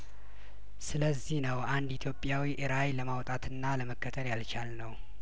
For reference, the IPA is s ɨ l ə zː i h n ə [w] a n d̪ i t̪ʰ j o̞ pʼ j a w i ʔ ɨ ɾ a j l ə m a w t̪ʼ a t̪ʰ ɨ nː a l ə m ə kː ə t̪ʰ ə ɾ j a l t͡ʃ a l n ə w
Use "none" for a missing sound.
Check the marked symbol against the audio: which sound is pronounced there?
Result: w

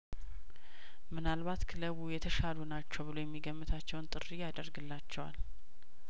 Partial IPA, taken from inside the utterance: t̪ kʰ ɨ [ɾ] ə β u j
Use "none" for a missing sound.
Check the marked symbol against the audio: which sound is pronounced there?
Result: l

